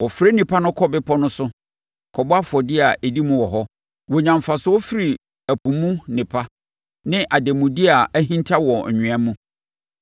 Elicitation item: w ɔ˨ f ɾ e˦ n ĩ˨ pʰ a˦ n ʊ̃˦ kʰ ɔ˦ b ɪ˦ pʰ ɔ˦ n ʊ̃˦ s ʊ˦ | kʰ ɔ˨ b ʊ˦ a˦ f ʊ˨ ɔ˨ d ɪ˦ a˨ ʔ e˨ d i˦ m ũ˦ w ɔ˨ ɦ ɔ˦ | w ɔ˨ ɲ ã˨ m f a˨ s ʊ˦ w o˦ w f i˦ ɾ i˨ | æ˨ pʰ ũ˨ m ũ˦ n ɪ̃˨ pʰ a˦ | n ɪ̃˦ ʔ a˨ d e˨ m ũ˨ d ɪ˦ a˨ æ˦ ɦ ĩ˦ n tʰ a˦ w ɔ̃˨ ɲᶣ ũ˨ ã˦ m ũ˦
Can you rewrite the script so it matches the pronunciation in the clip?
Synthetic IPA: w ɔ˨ f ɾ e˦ n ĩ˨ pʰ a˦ n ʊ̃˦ kʰ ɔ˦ b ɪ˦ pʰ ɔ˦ n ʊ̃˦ s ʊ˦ | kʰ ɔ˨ b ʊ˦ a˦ f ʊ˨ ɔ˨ d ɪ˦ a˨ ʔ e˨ d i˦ m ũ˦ w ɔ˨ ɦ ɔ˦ | w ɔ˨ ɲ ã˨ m f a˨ s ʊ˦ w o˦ f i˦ ɾ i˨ | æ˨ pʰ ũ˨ m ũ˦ n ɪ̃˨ pʰ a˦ | n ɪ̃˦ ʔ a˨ d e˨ m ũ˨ d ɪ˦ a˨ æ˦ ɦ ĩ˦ n tʰ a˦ w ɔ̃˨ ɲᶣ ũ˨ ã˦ m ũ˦